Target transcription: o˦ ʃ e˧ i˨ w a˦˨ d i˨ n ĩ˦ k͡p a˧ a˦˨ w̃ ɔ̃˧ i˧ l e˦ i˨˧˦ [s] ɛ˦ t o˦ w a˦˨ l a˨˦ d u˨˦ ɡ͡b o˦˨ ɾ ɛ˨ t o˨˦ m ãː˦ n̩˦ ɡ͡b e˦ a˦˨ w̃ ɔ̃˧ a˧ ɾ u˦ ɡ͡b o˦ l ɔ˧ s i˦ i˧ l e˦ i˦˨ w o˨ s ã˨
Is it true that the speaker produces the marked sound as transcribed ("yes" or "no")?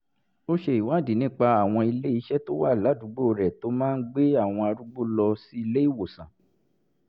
no